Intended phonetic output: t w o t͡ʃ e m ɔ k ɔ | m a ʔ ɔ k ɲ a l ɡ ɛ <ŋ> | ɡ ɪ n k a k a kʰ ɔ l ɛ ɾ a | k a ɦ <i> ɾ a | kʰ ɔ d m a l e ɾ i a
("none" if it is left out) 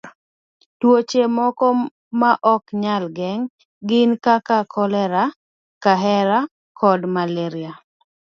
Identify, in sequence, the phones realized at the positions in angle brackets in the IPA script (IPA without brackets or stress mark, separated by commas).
ŋ, ɛ